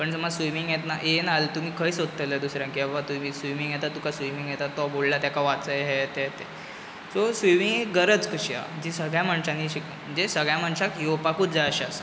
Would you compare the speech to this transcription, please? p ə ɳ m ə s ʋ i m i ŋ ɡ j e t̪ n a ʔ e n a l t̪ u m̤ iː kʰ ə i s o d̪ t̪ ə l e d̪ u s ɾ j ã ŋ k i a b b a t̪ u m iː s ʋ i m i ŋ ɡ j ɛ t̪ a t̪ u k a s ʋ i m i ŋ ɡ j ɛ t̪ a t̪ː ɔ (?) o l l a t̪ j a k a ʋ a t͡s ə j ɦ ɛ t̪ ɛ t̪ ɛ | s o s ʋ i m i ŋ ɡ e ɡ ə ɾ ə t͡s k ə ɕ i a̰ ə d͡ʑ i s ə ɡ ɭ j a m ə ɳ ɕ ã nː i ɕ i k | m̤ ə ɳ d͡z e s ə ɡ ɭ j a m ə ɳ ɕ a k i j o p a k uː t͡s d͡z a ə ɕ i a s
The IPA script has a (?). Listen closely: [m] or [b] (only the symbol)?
b